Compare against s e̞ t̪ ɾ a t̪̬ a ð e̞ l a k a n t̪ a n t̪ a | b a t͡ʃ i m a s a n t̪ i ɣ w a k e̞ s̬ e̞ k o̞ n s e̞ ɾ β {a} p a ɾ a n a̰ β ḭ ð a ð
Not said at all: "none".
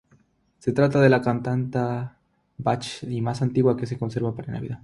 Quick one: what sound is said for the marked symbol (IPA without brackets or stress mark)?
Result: a